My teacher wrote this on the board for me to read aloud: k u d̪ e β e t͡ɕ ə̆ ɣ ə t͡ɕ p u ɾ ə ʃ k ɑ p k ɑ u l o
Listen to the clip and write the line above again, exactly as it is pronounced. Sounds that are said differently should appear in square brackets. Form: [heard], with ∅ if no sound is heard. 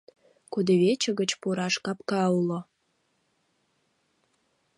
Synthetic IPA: k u d̪ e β e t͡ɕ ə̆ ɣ ə t͡ɕ p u ɾ [ɑ] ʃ k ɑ p k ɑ u l o